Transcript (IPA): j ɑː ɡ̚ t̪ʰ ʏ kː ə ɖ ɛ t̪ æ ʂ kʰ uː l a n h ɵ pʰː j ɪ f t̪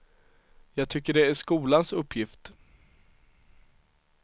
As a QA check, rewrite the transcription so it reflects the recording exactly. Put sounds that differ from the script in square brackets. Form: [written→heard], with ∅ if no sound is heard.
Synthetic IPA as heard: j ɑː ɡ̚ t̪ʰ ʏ kː ə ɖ ɛ [t̪→∅] æ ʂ [kʰ→k] uː l a n [h→s] ɵ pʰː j ɪ f t̪